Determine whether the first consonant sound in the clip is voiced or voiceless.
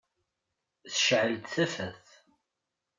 voiceless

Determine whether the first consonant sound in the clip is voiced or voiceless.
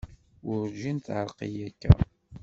voiced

